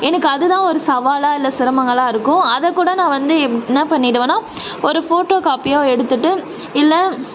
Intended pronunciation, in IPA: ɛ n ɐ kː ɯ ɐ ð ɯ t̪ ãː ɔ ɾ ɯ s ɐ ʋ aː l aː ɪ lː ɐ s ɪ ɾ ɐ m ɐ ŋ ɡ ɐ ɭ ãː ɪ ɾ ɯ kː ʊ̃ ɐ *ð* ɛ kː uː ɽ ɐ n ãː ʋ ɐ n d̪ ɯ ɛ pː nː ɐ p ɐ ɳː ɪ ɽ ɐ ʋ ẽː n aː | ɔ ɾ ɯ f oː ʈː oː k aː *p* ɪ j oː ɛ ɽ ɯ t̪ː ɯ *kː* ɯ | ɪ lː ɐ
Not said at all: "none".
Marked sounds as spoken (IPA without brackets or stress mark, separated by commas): ð, p, ʈː